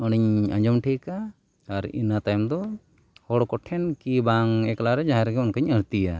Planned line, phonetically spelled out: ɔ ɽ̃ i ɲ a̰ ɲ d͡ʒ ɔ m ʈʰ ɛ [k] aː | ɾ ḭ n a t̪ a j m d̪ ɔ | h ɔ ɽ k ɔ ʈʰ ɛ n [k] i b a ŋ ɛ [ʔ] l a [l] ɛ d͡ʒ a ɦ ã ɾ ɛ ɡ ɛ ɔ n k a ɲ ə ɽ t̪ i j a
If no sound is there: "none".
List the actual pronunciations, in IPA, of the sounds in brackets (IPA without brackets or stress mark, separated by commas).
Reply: k, k, k, ɾ